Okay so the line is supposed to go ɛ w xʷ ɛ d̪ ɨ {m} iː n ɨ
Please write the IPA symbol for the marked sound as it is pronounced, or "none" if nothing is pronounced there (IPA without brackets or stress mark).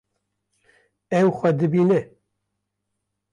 b